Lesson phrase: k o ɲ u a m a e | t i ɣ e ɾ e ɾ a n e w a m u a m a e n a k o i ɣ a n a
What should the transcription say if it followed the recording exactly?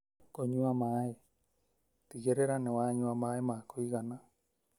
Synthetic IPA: k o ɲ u a m a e | t i ɣ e ɾ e ɾ a n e w a ɲ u a m a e m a k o i ɣ a n a